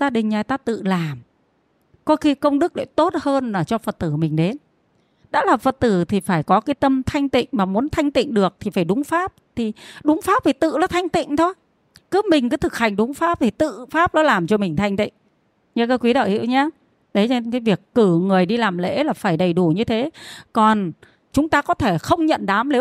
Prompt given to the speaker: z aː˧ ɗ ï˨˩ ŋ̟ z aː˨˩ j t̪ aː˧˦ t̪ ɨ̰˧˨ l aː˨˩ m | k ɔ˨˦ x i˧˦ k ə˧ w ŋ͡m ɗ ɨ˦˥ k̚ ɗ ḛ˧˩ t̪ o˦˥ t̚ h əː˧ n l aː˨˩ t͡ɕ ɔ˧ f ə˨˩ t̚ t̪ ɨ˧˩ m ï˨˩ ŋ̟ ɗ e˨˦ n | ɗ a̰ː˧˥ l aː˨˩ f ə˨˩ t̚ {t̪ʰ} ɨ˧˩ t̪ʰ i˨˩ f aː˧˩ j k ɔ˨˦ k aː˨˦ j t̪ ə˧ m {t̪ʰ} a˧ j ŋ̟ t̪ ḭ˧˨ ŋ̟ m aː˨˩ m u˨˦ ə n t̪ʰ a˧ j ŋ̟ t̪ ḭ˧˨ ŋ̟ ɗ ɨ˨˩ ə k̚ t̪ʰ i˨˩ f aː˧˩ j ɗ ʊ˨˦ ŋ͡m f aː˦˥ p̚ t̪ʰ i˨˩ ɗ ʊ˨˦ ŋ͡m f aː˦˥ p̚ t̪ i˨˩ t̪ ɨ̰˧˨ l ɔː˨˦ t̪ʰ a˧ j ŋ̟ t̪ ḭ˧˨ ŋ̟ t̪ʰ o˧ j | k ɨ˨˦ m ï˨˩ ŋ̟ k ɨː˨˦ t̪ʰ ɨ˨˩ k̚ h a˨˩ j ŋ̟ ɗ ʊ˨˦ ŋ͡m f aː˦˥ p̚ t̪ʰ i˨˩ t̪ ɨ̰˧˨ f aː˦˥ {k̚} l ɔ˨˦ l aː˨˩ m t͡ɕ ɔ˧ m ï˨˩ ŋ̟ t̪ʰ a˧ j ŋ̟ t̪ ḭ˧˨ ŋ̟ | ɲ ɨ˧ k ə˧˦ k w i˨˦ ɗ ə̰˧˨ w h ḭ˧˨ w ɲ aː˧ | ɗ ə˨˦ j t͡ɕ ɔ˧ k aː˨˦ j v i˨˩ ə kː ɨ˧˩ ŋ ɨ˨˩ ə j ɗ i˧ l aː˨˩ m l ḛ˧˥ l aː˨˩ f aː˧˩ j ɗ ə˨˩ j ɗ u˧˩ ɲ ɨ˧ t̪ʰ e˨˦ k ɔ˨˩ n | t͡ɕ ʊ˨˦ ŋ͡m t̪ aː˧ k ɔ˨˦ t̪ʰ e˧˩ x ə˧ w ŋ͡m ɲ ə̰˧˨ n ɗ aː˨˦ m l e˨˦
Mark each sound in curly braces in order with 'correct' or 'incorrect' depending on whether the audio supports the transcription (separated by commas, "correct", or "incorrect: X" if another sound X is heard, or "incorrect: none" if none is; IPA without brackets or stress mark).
incorrect: t̪, correct, incorrect: p̚